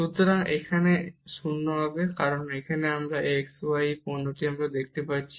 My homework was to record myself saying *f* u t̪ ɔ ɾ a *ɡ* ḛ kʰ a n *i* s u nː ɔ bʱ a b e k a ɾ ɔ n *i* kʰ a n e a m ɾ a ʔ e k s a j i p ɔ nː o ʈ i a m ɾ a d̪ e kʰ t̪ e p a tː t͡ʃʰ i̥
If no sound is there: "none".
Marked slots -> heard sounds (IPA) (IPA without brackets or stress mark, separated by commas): ʃ, ŋ, e, e